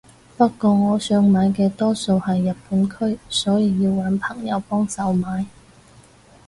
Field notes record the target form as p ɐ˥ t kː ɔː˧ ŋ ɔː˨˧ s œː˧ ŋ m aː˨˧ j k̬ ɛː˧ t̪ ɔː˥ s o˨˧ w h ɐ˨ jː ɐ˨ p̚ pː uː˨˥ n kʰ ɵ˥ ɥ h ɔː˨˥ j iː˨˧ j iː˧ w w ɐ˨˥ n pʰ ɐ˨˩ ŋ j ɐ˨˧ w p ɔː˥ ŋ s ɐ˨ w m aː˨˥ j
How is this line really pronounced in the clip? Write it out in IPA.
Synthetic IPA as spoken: p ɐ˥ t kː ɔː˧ ŋ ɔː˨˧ s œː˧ ŋ m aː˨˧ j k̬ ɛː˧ t̪ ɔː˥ s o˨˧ w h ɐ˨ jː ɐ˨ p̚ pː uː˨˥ n kʰ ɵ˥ ɥ s ɔː˨˥ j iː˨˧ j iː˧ w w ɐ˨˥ n pʰ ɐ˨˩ ŋ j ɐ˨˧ w p ɔː˥ ŋ s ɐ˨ w m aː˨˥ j